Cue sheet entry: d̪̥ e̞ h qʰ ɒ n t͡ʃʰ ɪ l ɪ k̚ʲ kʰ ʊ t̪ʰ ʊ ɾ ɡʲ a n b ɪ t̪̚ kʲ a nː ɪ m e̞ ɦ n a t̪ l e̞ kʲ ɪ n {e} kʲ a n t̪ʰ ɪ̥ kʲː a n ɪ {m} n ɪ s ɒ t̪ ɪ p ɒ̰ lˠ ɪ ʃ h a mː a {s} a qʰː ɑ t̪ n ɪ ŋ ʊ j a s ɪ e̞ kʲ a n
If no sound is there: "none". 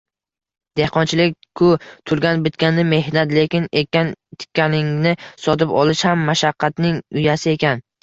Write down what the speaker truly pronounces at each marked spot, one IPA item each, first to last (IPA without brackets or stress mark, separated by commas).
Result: e, ŋ, ʃ